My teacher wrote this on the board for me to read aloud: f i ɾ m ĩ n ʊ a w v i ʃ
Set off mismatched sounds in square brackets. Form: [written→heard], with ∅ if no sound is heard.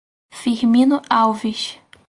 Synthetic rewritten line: f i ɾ m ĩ n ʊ a w v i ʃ